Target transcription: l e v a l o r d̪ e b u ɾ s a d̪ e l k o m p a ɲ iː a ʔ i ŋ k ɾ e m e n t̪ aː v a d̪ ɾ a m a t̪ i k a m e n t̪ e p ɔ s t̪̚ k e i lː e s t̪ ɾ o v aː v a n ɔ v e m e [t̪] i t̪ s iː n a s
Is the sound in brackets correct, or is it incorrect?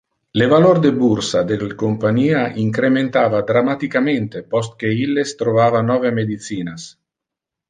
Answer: incorrect